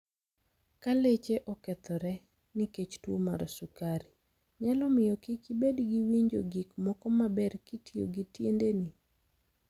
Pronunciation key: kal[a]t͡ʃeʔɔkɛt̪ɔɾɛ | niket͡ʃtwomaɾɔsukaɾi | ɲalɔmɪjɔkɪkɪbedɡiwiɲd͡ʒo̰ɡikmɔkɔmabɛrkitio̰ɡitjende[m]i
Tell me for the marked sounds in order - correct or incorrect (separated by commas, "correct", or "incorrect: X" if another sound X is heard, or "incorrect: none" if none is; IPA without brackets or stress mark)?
incorrect: e, incorrect: n